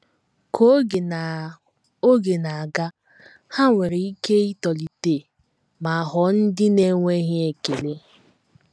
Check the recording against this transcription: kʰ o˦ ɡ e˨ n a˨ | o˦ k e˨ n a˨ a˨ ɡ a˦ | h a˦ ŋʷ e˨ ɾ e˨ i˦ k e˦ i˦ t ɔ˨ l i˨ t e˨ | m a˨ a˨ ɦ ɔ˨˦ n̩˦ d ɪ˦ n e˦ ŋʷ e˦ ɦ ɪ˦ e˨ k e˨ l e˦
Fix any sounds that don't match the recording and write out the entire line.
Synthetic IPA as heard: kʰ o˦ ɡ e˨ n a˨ | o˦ ɡ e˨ n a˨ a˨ ɡ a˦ | h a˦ ŋʷ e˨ ɾ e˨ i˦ k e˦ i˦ t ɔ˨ l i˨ t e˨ | m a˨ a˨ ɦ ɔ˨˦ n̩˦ d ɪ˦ n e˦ ŋʷ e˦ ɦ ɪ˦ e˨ k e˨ l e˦